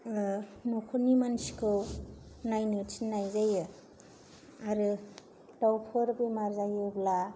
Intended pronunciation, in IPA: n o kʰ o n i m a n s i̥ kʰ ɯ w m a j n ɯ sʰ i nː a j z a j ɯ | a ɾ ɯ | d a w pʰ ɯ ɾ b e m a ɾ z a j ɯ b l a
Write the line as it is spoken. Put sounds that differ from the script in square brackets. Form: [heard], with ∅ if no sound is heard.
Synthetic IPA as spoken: n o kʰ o n i m a n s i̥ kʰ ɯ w [n] a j n ɯ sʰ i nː a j z a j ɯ | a ɾ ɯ | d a w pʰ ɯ ɾ b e m a ɾ z a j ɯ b l a